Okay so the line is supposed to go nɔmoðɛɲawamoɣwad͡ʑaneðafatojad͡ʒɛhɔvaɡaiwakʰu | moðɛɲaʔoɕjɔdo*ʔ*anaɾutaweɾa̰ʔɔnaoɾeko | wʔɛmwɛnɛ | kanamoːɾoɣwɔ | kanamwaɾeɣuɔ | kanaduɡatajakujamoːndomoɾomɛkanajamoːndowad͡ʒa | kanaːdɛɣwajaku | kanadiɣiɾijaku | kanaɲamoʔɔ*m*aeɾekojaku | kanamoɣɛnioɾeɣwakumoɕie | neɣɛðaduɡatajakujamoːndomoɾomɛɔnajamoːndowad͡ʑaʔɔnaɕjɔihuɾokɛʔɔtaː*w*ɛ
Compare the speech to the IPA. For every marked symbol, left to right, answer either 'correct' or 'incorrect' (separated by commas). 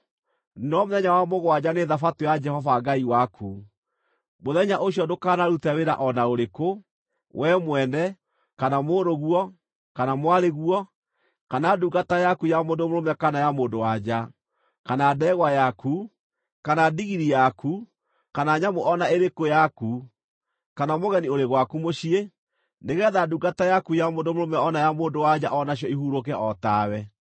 incorrect, incorrect, correct